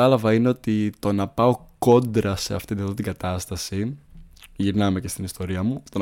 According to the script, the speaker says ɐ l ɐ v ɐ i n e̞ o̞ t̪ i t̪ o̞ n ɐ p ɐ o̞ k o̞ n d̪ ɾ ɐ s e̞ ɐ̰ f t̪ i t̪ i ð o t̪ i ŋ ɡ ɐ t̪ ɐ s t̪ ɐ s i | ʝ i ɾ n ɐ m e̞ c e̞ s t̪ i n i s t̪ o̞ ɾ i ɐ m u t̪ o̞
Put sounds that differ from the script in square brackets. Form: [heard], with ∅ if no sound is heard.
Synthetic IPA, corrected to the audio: ɐ l ɐ v ɐ i n e̞ o̞ t̪ i t̪ o̞ n ɐ p ɐ o̞ k o̞ n d̪ ɾ ɐ s e̞ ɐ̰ f t̪ i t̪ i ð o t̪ i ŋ ɡ ɐ t̪ ɐ s t̪ ɐ s i | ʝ i ɾ n ɐ m e̞ c e̞ s t̪ i n i s t̪ o̞ ɾ i ɐ m u t̪ o̞